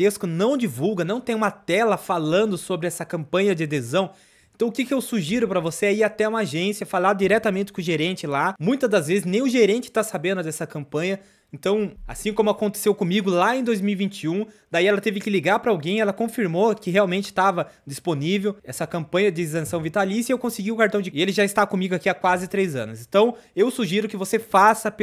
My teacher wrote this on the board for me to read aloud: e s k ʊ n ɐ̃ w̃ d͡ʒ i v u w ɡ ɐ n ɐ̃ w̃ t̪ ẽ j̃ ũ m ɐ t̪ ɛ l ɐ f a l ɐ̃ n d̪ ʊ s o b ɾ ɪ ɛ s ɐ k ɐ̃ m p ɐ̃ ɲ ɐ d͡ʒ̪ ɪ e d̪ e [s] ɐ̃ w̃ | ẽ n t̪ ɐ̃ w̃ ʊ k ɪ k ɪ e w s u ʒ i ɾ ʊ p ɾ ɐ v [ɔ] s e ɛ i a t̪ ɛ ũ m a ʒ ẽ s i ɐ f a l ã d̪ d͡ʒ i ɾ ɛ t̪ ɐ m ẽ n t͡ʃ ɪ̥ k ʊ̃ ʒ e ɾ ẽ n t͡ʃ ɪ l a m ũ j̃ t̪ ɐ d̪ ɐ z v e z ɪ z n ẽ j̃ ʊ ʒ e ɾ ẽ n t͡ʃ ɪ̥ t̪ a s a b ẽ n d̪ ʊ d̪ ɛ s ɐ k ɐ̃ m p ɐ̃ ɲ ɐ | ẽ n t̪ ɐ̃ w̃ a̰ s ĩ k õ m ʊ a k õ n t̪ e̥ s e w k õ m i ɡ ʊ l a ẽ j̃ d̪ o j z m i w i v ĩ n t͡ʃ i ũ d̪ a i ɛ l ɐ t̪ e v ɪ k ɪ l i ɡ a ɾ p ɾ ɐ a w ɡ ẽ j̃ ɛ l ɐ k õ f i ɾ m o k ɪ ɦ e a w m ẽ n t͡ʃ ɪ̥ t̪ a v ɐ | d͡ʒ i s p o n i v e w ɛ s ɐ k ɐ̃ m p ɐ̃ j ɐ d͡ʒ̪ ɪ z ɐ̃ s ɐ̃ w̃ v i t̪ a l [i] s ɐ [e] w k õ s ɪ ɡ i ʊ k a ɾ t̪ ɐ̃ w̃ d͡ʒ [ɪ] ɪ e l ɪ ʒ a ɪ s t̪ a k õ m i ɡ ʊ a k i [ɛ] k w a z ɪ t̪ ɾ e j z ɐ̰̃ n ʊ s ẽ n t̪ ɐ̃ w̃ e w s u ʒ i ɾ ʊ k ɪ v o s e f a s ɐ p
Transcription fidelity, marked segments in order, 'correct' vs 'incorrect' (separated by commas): incorrect, incorrect, correct, correct, correct, incorrect